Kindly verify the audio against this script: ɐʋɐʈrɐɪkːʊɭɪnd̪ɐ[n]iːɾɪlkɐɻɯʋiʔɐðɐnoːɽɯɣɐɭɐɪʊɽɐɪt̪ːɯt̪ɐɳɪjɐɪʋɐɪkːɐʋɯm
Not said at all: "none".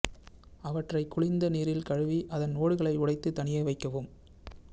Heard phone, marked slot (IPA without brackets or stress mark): n